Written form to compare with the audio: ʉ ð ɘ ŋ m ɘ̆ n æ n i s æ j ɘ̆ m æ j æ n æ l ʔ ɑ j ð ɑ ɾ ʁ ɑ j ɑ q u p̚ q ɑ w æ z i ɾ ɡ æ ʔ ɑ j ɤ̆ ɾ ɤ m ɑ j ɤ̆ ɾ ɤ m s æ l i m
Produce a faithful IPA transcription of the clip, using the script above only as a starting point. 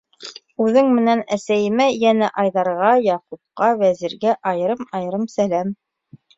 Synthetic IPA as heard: ʉ ð ɘ ŋ m ɘ̆ n æ n æ s æ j ɘ̆ m æ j æ n æ ʔ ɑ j ð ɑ ɾ ʁ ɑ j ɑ q u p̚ q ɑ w æ z i ɾ ɡ æ ʔ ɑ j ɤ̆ ɾ ɤ m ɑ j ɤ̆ ɾ ɤ m s æ l æ m